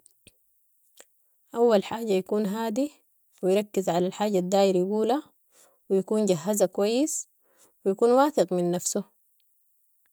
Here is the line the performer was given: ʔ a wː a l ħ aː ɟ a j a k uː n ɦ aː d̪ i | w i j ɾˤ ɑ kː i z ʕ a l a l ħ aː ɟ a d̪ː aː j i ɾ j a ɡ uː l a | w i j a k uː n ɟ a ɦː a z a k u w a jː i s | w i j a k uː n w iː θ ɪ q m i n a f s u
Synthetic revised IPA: ʔ a wː a l ħ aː ɟ a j a k uː n ɦ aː d̪ i | w i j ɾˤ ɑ kː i z ʕ a l a l ħ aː ɟ a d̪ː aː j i ɾ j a ɡ uː l a | w i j a k uː n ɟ a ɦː a z a k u w a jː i s | w i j a k uː n w aː θ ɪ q m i nː a f s u